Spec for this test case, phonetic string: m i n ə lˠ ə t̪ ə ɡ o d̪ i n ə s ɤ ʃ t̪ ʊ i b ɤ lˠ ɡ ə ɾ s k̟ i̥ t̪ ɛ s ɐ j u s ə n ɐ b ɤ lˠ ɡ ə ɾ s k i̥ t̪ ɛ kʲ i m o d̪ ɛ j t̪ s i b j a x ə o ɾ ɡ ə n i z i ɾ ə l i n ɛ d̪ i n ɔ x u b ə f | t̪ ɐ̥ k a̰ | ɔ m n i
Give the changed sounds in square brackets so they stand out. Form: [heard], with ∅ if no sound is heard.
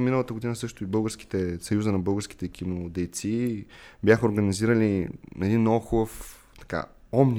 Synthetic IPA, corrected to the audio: m i n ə lˠ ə t̪ ə ɡ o d̪ i n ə s ɤ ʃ t̪ ʊ i b ɤ lˠ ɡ ə ɾ s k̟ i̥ t̪ ɛ s ɐ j u [z] ə n ɐ b ɤ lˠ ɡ ə ɾ s k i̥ t̪ ɛ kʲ i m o d̪ ɛ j t̪ s i b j a x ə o ɾ ɡ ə n i z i ɾ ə l i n ɛ d̪ i n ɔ x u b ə f | t̪ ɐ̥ k a̰ | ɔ m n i